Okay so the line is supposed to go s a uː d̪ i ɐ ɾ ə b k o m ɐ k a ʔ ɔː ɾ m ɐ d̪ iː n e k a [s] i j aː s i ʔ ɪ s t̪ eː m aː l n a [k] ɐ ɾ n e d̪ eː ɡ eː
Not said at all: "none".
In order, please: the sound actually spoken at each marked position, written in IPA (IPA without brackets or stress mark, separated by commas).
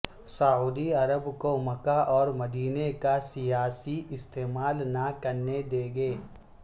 s, k